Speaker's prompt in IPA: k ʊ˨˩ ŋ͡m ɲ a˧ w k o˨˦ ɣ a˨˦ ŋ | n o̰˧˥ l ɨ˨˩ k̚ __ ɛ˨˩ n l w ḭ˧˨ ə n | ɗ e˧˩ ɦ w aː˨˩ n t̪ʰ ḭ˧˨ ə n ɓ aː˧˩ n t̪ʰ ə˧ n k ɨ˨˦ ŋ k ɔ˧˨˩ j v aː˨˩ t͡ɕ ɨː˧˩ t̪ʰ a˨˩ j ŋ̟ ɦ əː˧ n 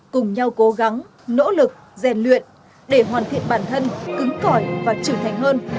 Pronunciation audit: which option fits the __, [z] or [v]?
z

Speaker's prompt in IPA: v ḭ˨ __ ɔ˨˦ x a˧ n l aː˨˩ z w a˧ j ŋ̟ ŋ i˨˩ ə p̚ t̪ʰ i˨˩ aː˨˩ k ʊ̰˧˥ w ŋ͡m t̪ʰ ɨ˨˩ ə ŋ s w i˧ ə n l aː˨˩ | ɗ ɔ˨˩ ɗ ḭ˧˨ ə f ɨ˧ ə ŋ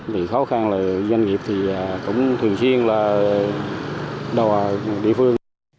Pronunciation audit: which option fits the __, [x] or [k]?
x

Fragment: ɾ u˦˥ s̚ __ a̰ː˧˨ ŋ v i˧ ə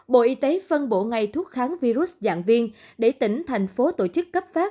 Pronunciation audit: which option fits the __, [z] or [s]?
z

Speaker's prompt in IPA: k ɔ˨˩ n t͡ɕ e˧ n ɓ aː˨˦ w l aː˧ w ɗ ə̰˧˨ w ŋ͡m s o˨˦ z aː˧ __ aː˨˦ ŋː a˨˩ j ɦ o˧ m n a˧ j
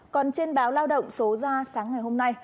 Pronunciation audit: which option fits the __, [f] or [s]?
s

